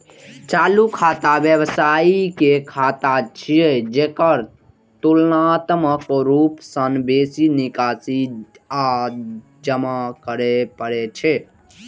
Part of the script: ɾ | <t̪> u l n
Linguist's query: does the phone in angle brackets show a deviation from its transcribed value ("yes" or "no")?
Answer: no